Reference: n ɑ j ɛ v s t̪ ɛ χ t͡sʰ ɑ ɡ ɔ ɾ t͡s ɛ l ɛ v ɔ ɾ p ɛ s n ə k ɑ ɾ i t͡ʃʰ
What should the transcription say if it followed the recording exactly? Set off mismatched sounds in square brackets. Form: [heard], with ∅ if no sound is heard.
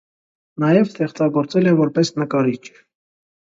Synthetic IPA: n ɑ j ɛ v s t̪ ɛ χ [t͡s] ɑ ɡ ɔ ɾ t͡s ɛ l ɛ v ɔ ɾ p ɛ s n ə k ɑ ɾ i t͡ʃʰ